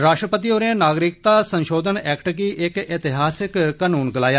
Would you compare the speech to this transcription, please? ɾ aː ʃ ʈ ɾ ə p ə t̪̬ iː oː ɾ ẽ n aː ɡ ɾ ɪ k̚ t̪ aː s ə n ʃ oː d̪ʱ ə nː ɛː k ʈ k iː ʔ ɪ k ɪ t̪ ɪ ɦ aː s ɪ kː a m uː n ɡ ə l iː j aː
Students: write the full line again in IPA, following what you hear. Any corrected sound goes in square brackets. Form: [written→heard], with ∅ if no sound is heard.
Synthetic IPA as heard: ɾ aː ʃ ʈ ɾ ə p ə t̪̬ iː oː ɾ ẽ n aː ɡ ɾ ɪ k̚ t̪ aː s ə n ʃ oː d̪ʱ ə [nː→n] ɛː k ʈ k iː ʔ ɪ k ɪ t̪ ɪ ɦ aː s ɪ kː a [m→n] uː n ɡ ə l [iː→aː] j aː

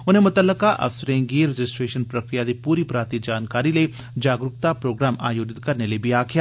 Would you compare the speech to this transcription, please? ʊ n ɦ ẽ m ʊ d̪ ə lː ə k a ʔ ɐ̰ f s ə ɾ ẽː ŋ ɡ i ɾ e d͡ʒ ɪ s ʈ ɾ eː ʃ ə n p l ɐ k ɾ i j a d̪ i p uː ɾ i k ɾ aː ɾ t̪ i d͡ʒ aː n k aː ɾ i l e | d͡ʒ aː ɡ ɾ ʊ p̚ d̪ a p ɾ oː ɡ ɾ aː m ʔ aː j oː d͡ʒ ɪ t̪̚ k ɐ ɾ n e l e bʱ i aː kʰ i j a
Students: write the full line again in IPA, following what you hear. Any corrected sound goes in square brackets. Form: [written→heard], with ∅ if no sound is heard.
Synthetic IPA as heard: ʊ n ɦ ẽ m ʊ [d̪→t̪] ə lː ə k a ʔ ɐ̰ f s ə ɾ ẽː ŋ ɡ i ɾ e d͡ʒ ɪ s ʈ ɾ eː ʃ ə n p [l→ɾ] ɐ k ɾ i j a d̪ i p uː ɾ i [k→p] ɾ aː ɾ t̪ i d͡ʒ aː n k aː ɾ i l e | d͡ʒ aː ɡ ɾ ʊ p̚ [d̪→t̪] a p ɾ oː ɡ ɾ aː m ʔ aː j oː d͡ʒ ɪ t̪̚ k ɐ ɾ n e l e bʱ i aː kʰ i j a

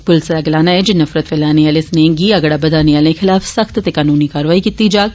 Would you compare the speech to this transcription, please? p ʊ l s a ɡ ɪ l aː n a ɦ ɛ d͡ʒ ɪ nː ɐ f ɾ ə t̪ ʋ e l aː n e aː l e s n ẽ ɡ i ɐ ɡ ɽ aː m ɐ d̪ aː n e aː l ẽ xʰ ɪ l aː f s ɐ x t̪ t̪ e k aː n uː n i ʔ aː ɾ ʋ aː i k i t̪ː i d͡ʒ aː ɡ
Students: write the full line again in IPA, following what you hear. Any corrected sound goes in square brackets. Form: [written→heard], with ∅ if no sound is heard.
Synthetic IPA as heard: p ʊ l s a ɡ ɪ l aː n a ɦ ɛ d͡ʒ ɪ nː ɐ f ɾ ə t̪ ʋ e l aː n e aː l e s n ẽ ɡ i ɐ ɡ ɽ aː [m→b] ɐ d̪ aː n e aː l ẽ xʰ ɪ l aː f s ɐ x t̪ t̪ e k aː n uː n i [ʔ→k] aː ɾ ʋ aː i k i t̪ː i d͡ʒ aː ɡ

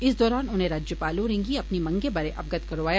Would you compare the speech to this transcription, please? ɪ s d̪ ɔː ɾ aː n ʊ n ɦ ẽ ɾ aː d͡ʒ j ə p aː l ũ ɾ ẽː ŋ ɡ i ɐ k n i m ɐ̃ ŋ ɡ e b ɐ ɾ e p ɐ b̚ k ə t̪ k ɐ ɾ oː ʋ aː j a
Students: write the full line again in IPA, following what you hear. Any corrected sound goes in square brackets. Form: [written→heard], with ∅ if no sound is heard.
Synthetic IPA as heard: ɪ s d̪ ɔː ɾ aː n ʊ n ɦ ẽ ɾ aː d͡ʒ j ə p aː l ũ ɾ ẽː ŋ ɡ i ɐ [k→p] n i m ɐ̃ ŋ ɡ e b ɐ ɾ e [p→ʔ] ɐ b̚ [k→ɡ] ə t̪ k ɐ ɾ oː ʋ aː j a

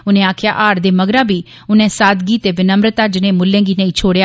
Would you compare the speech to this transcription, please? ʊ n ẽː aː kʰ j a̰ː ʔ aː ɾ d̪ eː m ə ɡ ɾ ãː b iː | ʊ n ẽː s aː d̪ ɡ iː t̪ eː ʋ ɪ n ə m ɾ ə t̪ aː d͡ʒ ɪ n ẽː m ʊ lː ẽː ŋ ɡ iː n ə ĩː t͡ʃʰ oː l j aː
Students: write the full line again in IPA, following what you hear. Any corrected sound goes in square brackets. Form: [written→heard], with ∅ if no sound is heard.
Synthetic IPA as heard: ʊ n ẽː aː kʰ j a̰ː ʔ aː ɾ d̪ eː m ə ɡ ɾ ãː b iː | ʊ n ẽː s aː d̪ ɡ iː t̪ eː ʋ ɪ n ə m ɾ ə t̪ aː d͡ʒ ɪ n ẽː m ʊ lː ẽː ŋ ɡ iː n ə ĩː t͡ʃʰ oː [l→ɽ] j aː

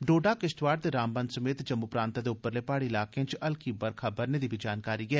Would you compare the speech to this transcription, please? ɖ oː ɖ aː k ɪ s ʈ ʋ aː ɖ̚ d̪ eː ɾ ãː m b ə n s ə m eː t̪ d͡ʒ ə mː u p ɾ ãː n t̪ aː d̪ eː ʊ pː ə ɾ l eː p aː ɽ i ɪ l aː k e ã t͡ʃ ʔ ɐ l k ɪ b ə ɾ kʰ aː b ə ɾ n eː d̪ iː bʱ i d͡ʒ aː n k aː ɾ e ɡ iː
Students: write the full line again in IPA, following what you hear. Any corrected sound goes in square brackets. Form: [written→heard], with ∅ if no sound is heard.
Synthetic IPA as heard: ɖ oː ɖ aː k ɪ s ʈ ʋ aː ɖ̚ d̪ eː ɾ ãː m b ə n s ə m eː t̪ d͡ʒ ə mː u p ɾ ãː n t̪ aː d̪ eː ʊ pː ə ɾ l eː p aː ɽ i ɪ l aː k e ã t͡ʃ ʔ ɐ l k [ɪ→i] b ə ɾ kʰ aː b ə ɾ n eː d̪ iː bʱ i d͡ʒ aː n k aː ɾ [e→i] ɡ [iː→ɛː]

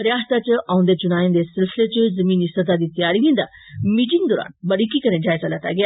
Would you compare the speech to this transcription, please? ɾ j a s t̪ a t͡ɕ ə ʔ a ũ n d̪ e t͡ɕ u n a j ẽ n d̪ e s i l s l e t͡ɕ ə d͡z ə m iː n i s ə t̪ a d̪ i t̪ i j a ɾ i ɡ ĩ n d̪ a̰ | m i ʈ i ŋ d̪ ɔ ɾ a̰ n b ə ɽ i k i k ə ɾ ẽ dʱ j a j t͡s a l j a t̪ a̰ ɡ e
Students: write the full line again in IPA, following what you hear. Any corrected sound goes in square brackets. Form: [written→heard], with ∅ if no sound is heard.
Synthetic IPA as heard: ɾ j a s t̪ a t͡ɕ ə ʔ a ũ n d̪ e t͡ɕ u n a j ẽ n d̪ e s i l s l e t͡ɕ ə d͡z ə m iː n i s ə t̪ a d̪ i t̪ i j a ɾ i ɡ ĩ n d̪ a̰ | m i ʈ i ŋ d̪ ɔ ɾ a̰ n b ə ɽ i k i k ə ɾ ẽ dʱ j a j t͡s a l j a t̪ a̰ ɡ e

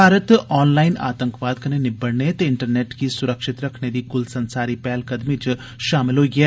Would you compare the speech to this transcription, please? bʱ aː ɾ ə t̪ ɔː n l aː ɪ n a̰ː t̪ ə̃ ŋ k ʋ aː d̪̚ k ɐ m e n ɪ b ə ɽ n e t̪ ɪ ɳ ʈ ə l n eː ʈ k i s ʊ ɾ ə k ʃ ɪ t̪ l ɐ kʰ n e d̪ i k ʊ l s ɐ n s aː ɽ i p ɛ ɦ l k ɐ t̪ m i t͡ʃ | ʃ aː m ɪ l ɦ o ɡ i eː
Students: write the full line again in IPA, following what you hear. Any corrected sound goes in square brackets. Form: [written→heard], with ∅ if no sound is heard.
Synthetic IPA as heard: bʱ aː ɾ ə t̪ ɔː n l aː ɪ n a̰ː t̪ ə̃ ŋ k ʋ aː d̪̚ k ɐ [m→n] e n ɪ b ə ɽ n e t̪ ɪ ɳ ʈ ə [l→ɾ] n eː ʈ k i s ʊ ɾ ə k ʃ ɪ t̪ [l→ɾ] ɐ kʰ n e d̪ i k ʊ l s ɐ n s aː [ɽ→ɾ] i p ɛ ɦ l k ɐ [t̪→d̪] m i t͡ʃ | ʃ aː m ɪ l ɦ o ɡ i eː

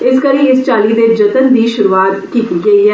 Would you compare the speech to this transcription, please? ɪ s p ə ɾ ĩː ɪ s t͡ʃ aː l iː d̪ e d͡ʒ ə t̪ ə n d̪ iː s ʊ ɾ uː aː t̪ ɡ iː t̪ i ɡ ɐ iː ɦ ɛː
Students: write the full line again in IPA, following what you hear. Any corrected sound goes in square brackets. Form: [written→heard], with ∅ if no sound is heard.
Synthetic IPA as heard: ɪ s [p→k] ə ɾ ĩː ɪ s t͡ʃ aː l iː d̪ e d͡ʒ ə t̪ ə n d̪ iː [s→ʃ] ʊ ɾ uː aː t̪ [ɡ→k] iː t̪ i ɡ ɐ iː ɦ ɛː

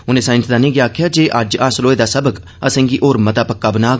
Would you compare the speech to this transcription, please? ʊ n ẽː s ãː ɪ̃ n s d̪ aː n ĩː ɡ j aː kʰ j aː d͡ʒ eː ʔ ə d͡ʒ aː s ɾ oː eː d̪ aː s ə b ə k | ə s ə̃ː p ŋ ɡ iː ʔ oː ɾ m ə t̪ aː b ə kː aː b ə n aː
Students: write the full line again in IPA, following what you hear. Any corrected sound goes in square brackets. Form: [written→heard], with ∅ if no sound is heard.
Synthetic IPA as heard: ʊ n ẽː s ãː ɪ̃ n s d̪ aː n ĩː ɡ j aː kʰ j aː d͡ʒ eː ʔ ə d͡ʒ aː s [ɾ→l] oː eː d̪ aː s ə b ə k | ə s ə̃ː [p→∅] ŋ ɡ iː ʔ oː ɾ m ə t̪ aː [b→p] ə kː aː b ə n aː

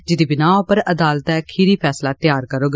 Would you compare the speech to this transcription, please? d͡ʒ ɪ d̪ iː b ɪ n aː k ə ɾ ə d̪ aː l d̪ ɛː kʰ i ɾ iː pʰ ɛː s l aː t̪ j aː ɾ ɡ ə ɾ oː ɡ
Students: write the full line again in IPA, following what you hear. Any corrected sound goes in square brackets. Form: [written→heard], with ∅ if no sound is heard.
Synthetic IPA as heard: d͡ʒ ɪ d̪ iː b ɪ n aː [k→p] ə ɾ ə d̪ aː l [d̪→t̪] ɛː kʰ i ɾ iː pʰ ɛː s l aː t̪ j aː ɾ [ɡ→k] ə ɾ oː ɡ

